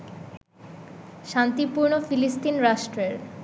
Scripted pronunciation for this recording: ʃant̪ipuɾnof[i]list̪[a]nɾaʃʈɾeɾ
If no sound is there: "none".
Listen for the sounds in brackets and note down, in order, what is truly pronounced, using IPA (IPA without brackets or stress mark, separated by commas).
i, i